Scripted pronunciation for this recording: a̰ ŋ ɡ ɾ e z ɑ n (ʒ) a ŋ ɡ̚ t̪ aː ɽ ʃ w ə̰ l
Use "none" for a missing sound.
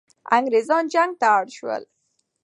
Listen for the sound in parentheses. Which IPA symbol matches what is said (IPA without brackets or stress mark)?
d͡ʒ